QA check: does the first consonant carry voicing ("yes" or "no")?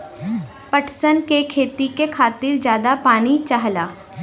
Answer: no